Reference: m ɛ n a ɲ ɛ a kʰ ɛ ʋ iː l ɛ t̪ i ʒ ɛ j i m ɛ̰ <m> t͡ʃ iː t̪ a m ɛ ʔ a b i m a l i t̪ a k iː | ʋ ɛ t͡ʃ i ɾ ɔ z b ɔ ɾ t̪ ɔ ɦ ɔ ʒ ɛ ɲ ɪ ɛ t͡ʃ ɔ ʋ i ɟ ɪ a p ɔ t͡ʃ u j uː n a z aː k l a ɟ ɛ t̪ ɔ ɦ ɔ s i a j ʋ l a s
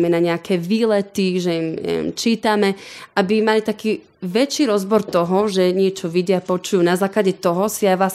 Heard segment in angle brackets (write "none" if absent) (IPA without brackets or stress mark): m